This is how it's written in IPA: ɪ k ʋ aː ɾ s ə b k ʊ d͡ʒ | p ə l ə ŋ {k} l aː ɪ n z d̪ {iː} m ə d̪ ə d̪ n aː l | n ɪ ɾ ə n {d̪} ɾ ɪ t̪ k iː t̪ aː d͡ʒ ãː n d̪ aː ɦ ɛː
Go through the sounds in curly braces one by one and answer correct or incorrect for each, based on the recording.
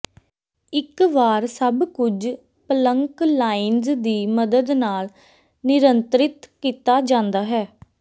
correct, correct, incorrect: t̪

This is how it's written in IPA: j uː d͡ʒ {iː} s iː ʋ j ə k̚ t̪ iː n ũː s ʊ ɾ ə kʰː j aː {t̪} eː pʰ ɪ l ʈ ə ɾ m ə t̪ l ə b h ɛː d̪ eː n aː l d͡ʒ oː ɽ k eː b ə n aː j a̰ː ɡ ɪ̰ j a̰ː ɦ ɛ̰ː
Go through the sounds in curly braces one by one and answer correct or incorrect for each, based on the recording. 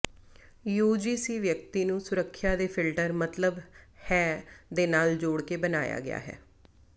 correct, incorrect: d̪

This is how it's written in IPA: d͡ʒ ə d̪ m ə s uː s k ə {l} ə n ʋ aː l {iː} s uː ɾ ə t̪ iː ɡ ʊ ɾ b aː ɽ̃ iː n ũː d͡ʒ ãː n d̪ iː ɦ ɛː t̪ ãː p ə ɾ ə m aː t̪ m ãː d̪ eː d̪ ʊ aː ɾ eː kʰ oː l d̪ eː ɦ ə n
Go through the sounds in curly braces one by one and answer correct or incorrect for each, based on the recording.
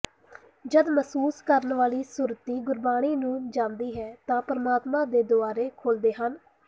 incorrect: ɾ, correct

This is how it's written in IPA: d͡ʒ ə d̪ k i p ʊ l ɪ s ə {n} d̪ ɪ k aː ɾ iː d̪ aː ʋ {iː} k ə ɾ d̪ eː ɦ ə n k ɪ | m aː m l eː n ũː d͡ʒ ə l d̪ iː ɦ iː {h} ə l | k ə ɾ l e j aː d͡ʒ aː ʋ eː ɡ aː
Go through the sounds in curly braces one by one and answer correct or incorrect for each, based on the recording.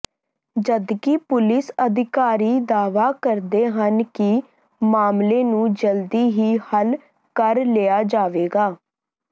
incorrect: none, incorrect: aː, correct

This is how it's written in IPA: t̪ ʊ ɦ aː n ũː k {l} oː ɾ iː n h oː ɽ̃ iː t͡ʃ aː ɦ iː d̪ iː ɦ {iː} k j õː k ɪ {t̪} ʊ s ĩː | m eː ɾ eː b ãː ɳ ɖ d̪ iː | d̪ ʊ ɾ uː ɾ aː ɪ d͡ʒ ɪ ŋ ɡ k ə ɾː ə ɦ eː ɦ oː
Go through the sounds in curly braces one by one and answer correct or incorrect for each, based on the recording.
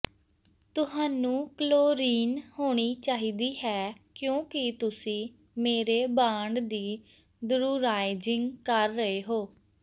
correct, incorrect: ɛː, correct

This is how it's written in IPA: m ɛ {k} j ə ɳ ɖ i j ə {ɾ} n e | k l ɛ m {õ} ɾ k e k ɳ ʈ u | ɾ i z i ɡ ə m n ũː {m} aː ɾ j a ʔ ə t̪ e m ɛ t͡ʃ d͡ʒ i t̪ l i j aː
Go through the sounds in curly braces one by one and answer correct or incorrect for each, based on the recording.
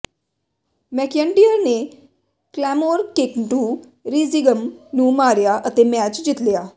correct, correct, incorrect: o, correct

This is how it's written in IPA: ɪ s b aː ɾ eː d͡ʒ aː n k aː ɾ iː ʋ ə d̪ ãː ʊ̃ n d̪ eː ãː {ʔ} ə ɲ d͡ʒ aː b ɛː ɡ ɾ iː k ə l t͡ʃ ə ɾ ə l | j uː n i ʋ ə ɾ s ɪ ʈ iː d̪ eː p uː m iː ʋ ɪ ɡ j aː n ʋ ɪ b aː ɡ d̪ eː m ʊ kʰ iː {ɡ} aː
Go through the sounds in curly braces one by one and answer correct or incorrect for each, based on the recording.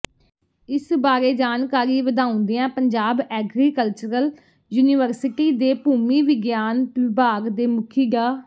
incorrect: p, correct

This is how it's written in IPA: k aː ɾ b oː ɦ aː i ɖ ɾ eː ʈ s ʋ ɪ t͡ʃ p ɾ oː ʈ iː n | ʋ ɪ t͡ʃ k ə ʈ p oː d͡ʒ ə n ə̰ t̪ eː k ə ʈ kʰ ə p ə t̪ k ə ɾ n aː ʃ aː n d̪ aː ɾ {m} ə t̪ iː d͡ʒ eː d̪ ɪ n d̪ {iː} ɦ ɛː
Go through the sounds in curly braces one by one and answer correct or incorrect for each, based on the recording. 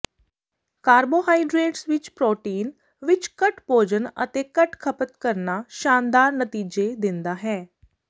incorrect: n, incorrect: aː

